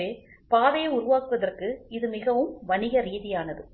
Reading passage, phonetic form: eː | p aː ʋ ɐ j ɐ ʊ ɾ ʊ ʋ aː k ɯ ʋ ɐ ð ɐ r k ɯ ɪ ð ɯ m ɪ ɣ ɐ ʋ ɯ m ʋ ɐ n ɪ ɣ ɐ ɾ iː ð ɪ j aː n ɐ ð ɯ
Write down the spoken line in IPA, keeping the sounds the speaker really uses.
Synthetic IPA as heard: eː | p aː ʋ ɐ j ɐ ʊ ɾ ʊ ʋ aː k ɯ ʋ ɐ ð ɐ r k ɯ ɪ ð ɯ m ɪ ɣ ɐ ʋ ɯ m ʋ ɐ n ɪ ɣ ɐ ɾ iː ð ɪ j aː n ɐ ð ɯ